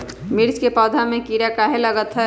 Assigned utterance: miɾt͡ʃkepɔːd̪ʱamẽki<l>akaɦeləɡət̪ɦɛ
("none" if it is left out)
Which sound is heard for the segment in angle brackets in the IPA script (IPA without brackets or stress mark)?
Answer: ɾ